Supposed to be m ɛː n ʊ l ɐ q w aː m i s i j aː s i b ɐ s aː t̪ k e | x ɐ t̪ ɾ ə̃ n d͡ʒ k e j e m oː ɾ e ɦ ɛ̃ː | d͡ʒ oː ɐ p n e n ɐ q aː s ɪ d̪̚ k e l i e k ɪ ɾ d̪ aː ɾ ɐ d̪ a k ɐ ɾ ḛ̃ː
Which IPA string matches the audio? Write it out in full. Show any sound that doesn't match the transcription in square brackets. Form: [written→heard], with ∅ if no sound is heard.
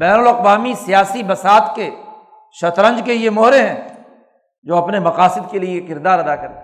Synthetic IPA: [m→b] ɛː n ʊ l ɐ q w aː m i s i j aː s i b ɐ s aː t̪ k e | [x→ʃ] ɐ t̪ ɾ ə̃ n d͡ʒ k e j e m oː ɾ e ɦ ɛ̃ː | d͡ʒ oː ɐ p n e [n→m] ɐ q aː s ɪ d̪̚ k e l i e k ɪ ɾ d̪ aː ɾ ɐ d̪ a k ɐ ɾ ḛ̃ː